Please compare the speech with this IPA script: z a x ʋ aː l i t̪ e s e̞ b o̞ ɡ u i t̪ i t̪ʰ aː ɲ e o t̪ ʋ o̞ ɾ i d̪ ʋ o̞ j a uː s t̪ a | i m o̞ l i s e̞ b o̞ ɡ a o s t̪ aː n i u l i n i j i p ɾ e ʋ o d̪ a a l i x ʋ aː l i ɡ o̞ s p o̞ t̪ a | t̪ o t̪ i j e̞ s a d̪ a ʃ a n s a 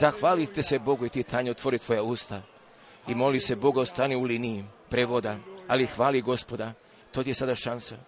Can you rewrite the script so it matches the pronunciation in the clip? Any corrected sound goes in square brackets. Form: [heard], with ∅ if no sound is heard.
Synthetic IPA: z a x ʋ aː l i t̪ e s e̞ b o̞ ɡ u i t̪ i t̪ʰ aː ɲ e o t̪ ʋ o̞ ɾ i [t̪] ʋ o̞ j a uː s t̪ a | i m o̞ l i s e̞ b o̞ ɡ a o s t̪ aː n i u l i n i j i p ɾ e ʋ o d̪ a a l i x ʋ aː l i ɡ o̞ s p o̞ [d̪] a | t̪ o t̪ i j e̞ s a d̪ a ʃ a n s a